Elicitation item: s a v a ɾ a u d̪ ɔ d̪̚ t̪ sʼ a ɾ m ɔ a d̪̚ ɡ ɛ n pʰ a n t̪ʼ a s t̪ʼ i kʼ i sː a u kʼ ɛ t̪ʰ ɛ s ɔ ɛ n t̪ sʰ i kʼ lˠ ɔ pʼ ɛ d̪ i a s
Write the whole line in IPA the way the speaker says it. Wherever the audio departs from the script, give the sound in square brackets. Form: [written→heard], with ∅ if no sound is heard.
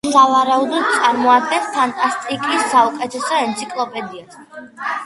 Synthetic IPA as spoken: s a v a ɾ a u d̪ ɔ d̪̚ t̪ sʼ a ɾ m ɔ a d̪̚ ɡ ɛ n pʰ a n t̪ʼ a s t̪ʼ i kʼ i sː a u kʼ ɛ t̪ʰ ɛ s ɔ ɛ n t̪ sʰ i kʼ lˠ ɔ pʼ ɛ d̪ i a s